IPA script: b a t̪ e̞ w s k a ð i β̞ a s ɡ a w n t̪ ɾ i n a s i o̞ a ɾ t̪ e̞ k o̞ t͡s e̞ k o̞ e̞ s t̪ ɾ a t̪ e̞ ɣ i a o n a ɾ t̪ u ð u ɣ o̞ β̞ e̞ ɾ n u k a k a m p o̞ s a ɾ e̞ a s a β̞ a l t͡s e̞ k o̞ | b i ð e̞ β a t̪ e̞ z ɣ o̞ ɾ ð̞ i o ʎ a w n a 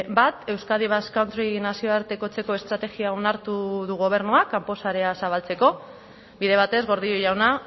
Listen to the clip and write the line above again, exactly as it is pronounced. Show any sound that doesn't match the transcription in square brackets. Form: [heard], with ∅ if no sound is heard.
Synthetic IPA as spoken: b a t̪ e̞ w s k a ð i β̞ a s [k] a w n t̪ ɾ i n a s i o̞ a ɾ t̪ e̞ k o̞ t͡s e̞ k o̞ e̞ s t̪ ɾ a t̪ e̞ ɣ i a o n a ɾ t̪ u ð u ɣ o̞ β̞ e̞ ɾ n u [∅] a k a m p o̞ s a ɾ e̞ a s a β̞ a l t͡s e̞ k o̞ | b i ð e̞ β a t̪ e̞ z ɣ o̞ ɾ ð̞ i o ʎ a w n a